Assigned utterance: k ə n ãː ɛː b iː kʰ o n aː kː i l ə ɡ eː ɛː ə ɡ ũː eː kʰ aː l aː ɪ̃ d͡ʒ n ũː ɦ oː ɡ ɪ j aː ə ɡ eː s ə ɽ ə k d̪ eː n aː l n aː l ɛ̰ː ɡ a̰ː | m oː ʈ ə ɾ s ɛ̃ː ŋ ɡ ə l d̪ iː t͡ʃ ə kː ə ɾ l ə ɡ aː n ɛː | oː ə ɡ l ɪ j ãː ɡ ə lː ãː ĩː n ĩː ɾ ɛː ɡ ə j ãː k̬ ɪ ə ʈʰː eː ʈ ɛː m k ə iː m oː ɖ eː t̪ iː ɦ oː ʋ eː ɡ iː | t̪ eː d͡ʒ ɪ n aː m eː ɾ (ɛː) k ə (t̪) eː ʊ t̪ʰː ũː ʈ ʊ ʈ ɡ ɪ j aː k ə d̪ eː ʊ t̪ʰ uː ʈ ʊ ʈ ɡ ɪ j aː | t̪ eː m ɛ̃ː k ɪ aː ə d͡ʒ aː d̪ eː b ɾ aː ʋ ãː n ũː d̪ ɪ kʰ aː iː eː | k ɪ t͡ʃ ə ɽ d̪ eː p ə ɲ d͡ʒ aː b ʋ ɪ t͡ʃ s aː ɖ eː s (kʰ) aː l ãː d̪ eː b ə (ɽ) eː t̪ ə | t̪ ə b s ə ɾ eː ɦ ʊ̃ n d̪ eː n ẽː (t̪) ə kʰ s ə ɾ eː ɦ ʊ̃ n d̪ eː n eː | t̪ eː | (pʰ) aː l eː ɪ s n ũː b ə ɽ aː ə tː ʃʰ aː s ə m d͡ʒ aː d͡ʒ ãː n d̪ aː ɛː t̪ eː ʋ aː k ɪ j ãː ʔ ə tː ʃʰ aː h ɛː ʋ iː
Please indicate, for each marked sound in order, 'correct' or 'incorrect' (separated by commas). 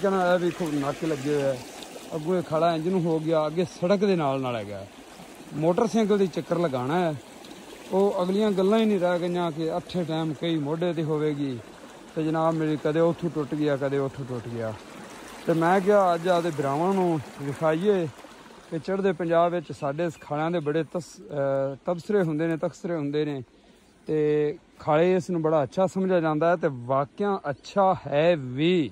incorrect, incorrect, correct, correct, correct, incorrect